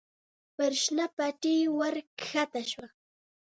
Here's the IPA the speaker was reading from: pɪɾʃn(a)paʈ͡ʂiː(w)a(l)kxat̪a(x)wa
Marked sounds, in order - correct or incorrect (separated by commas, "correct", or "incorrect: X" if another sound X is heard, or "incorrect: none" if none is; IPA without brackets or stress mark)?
correct, correct, incorrect: ɾ, incorrect: ʃ